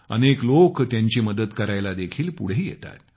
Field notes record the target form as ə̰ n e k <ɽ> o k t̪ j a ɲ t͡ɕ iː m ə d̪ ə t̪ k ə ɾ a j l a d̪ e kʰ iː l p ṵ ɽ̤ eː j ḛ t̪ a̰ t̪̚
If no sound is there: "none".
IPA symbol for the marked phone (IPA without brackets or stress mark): l